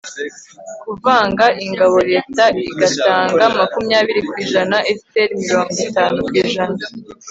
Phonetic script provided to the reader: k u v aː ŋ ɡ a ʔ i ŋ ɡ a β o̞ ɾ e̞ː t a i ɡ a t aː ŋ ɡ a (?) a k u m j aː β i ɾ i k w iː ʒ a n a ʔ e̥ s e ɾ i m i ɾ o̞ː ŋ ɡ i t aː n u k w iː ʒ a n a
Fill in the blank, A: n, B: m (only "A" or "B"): B